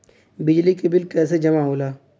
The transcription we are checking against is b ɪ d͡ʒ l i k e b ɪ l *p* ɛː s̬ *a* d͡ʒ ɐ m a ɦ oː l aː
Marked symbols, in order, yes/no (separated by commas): no, no